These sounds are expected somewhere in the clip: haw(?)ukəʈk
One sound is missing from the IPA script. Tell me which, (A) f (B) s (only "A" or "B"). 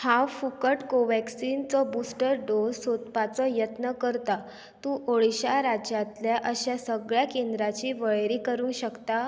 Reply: A